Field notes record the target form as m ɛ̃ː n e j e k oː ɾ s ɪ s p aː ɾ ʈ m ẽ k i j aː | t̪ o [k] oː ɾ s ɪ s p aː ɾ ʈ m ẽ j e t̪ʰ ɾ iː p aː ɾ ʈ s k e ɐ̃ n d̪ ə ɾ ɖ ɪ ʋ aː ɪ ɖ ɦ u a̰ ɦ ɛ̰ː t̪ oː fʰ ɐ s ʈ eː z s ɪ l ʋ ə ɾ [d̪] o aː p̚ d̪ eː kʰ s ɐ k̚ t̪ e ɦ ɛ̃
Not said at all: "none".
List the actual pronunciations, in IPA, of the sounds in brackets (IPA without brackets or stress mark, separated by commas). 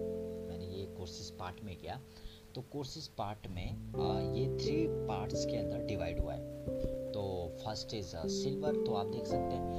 k, t̪